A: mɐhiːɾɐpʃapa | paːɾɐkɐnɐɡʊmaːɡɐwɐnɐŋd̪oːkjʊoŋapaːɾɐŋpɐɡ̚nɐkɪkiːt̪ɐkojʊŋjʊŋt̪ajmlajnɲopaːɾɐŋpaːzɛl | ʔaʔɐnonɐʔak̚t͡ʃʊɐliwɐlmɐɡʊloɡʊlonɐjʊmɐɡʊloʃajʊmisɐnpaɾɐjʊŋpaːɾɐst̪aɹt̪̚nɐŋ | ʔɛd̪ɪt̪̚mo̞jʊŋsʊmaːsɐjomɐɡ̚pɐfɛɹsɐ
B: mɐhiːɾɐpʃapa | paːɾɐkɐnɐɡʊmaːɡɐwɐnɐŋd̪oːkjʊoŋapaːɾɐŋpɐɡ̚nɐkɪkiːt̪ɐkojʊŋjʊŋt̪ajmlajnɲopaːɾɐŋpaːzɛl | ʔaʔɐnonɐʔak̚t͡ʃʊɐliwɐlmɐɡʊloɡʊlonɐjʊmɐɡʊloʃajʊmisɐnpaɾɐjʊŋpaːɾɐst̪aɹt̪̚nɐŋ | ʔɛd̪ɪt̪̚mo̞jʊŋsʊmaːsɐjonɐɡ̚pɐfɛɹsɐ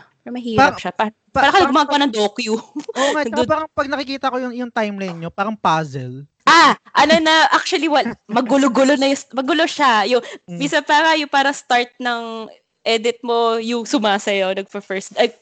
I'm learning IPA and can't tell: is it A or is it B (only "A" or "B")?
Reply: B